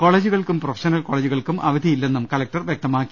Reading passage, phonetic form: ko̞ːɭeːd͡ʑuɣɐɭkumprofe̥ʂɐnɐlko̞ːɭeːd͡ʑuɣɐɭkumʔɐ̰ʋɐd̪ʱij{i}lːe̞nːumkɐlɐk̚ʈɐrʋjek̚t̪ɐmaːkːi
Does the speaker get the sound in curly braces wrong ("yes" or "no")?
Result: no